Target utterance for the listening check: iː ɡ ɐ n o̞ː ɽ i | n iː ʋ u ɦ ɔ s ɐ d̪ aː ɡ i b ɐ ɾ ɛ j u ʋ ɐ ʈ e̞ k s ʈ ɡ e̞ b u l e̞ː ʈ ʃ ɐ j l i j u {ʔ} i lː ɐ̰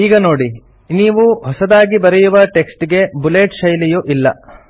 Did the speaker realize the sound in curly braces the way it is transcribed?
yes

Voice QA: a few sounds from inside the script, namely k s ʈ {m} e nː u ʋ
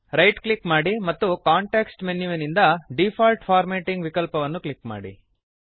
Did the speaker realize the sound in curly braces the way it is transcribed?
yes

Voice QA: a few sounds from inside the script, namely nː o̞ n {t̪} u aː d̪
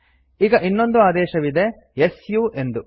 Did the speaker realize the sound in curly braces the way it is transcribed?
no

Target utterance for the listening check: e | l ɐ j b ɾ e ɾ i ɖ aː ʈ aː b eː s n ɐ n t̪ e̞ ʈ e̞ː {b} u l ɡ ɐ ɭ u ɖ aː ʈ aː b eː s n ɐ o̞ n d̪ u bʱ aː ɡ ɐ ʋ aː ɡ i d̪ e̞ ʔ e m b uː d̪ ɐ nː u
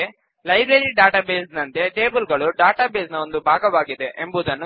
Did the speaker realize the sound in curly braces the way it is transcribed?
yes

